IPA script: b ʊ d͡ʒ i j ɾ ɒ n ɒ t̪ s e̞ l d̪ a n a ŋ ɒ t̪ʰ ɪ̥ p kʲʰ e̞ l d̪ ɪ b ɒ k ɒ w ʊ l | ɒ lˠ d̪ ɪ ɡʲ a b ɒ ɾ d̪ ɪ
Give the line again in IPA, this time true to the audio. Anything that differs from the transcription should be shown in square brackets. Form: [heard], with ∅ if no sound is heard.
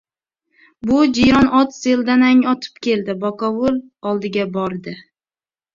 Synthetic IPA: b ʊ d͡ʒ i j ɾ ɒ n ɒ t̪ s e̞ l d̪ a n a ŋ ɒ t̪ʰ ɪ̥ p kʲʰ e̞ l d̪ ɪ b ɒ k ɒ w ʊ l | ɒ lˠ d̪ ɪ ɡʲ a b ɒ ɾ d̪ ɪ